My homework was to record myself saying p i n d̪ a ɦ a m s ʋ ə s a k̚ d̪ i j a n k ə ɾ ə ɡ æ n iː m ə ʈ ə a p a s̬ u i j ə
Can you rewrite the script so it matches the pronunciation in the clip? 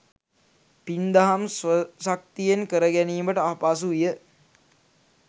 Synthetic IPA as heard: p i n d̪ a ɦ a m s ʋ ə s a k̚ t̪ i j e n k ə ɾ ə ɡ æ n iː m ə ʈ ə a p a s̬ u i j ə

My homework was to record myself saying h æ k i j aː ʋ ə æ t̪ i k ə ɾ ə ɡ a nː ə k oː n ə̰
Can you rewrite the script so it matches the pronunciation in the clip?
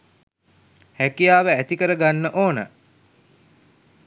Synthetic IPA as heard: h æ k i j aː ʋ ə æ t̪ i k ə ɾ ə ɡ a nː ə ʔ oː n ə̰

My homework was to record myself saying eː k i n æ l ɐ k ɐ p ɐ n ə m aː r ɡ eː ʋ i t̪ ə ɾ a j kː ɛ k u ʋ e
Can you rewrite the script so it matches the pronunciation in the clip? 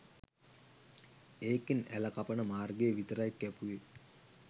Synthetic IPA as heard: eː k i n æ l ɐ k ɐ p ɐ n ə m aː r ɡ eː ʋ i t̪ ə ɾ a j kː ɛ p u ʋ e

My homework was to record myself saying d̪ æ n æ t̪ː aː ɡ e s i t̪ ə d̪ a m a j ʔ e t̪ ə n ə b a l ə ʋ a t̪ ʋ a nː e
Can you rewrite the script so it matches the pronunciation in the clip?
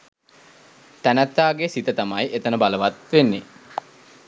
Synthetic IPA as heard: t̪ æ n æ t̪ː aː ɡ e s i t̪ ə t̪ a m a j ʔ e t̪ ə n ə b a l ə ʋ a t̪ ʋ e nː e

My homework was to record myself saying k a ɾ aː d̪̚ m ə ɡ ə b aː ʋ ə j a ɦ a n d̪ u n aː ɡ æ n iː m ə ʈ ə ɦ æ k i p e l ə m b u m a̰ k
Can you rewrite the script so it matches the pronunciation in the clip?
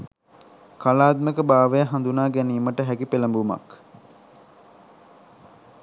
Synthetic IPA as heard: k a l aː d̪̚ m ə k ə b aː ʋ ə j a ɦ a n d̪ u n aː ɡ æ n iː m ə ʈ ə ɦ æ k i p e l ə m b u m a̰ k

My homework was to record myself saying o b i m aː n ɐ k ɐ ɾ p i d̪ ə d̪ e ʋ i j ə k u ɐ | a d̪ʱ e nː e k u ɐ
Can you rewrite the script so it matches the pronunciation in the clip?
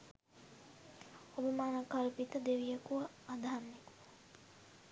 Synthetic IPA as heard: o b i m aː n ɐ k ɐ l p i t̪ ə d̪ e ʋ i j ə k u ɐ | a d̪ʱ a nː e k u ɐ

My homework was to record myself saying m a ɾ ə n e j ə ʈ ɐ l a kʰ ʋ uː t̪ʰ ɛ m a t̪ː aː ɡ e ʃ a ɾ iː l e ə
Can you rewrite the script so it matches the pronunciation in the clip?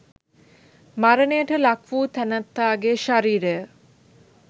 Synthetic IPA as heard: m a ɾ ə n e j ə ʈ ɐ l a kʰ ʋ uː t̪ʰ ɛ n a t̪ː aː ɡ e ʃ a ɾ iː ɾ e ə

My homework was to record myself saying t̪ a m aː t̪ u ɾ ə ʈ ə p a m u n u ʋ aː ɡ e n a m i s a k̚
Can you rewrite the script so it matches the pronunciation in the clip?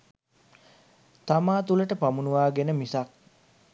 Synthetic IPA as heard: t̪ a m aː t̪ u l ə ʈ ə p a m u n u ʋ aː ɡ e n ə m i s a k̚

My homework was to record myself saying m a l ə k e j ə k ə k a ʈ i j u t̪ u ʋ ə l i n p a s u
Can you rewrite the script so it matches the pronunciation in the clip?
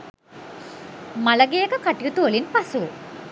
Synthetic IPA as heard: m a l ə ɡ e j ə k ə k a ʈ i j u t̪ u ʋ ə l i n p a s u

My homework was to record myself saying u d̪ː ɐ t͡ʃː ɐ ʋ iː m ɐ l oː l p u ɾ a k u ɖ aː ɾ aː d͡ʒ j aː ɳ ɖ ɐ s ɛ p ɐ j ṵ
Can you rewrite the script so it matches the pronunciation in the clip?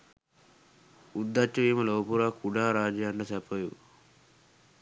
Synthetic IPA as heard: u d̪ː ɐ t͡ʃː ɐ ʋ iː m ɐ l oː p u ɾ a k u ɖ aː ɾ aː d͡ʒ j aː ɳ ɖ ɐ s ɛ p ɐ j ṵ

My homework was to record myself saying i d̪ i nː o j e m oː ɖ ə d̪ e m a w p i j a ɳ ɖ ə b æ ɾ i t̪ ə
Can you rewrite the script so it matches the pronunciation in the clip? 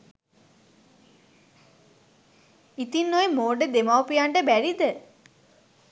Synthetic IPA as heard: i t̪ i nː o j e m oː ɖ ə d̪ e m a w p i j a ɳ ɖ ə b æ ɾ i d̪ ə

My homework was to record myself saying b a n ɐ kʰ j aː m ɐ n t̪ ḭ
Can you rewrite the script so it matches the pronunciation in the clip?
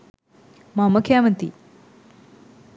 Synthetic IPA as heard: m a m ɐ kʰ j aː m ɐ n t̪ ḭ

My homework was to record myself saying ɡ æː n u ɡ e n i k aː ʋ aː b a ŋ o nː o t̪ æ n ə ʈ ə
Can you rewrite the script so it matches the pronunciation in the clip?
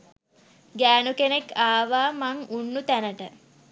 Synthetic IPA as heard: ɡ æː n u k e n e k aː ʋ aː m a ŋ u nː u t̪ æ n ə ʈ ə

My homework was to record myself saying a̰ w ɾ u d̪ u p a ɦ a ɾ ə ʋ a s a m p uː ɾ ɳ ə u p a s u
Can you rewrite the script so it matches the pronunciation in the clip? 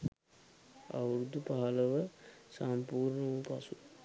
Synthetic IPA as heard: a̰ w ɾ u d̪ u p a ɦ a l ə ʋ ə s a m p uː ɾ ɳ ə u p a s u

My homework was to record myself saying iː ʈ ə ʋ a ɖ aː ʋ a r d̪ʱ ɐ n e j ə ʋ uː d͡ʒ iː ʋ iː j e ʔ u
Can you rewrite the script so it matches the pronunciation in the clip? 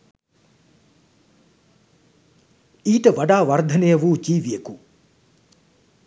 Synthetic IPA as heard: iː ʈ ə ʋ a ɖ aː ʋ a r d̪ʱ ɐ n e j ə ʋ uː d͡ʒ iː ʋ i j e k u

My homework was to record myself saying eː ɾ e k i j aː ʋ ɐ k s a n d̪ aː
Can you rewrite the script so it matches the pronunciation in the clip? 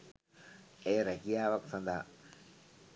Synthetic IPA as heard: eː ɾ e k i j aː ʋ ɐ k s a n d̪ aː

